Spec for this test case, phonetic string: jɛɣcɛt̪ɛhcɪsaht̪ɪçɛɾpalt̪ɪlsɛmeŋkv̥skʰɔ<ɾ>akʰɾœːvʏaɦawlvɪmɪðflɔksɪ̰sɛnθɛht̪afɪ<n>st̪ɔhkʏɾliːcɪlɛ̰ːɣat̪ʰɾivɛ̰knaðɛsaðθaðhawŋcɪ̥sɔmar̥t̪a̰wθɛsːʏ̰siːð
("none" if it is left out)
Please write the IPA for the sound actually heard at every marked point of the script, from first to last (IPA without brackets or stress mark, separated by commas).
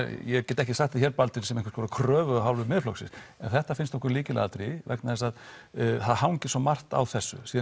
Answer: ɾ, n